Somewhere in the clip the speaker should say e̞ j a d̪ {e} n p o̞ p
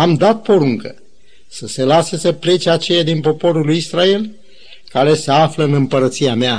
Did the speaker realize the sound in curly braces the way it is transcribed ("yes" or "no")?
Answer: no